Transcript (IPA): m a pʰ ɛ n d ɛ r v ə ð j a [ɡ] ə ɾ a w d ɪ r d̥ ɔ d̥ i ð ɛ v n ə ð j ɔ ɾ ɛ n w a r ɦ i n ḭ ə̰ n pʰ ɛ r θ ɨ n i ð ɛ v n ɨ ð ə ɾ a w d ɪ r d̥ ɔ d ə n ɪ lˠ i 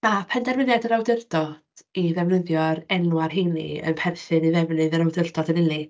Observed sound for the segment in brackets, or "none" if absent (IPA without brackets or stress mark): d